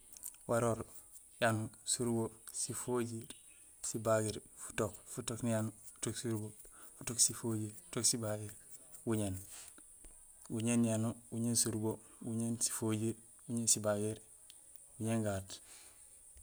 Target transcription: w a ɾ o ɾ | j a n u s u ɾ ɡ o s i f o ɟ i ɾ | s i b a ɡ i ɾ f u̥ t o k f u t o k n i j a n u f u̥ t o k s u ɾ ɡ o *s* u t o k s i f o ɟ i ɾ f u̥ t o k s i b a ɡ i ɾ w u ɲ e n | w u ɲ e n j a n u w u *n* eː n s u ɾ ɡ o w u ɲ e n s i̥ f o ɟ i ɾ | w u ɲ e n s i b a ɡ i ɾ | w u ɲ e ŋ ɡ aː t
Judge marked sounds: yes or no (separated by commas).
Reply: no, no